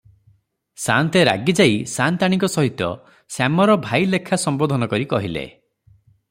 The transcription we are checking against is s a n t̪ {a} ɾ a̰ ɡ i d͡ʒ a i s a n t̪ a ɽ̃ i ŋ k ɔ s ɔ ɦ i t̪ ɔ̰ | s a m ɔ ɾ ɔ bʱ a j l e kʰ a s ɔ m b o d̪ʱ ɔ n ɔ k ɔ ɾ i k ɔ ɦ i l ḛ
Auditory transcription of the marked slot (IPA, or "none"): e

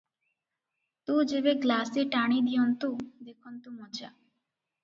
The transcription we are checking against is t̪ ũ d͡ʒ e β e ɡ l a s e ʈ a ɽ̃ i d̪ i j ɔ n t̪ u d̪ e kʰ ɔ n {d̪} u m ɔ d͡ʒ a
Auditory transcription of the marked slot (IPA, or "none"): t̪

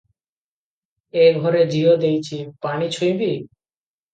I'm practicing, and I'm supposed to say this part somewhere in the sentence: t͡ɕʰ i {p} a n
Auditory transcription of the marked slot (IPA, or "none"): p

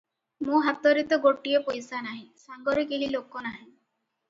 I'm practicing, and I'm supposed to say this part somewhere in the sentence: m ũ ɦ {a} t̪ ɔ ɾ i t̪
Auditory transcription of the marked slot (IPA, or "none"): a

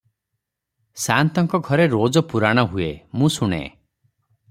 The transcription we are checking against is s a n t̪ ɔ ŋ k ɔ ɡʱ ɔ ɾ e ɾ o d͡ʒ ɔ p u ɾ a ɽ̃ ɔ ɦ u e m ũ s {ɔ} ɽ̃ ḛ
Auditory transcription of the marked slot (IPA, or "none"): u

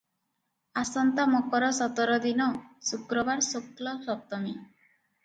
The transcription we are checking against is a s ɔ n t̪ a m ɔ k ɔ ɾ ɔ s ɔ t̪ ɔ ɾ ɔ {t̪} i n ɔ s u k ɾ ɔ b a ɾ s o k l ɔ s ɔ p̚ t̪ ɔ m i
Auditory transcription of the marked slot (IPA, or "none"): d̪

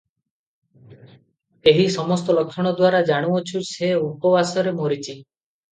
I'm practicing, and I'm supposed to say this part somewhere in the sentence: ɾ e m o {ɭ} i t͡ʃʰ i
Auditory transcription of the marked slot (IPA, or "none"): ɾ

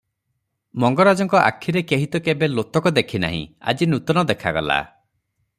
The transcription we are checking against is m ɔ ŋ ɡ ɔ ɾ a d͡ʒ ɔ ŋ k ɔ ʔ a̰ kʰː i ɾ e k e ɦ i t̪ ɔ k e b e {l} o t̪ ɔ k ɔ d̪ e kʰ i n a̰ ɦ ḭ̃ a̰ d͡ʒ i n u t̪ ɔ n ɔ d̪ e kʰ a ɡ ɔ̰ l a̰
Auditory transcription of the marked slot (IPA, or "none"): l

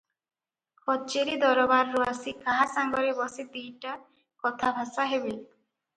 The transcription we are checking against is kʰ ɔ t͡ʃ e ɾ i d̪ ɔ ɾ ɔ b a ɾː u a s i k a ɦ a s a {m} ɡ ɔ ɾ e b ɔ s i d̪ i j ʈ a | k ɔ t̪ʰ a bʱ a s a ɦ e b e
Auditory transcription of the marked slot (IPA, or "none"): ŋ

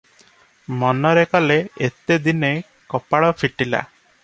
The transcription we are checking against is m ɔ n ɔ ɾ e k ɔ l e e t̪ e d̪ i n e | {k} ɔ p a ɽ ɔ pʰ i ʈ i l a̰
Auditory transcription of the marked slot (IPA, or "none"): k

